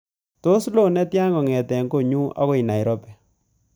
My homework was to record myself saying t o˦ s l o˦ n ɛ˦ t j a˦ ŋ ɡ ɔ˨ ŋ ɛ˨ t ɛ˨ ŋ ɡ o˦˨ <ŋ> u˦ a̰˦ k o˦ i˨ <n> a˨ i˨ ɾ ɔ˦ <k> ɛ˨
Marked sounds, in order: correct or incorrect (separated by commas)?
incorrect, correct, incorrect